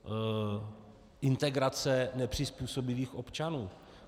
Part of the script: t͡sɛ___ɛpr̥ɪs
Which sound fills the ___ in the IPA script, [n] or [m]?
n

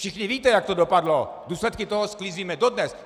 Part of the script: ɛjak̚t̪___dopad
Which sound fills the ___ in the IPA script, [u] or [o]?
o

